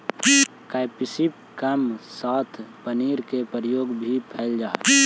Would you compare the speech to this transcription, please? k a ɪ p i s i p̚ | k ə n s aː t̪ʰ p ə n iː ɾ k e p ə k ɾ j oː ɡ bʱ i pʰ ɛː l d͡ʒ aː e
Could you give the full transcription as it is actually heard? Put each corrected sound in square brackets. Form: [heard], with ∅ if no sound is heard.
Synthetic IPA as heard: k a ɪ p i s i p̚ | k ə [m] s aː t̪ʰ p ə n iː ɾ k e p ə [∅] ɾ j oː ɡ bʱ i pʰ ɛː l d͡ʒ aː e